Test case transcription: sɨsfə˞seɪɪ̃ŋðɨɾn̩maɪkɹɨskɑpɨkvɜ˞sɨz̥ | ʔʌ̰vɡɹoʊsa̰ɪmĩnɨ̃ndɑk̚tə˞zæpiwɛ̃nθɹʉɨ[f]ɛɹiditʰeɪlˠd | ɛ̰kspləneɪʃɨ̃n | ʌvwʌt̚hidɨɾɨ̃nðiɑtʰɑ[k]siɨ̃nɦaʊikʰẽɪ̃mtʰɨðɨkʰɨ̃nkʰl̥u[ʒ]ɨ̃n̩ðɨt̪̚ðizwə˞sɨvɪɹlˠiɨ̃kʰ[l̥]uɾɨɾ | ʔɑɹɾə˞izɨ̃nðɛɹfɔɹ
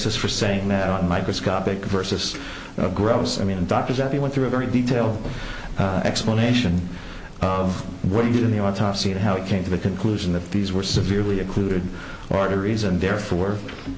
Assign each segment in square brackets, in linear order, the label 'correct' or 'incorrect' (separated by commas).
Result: incorrect, incorrect, correct, correct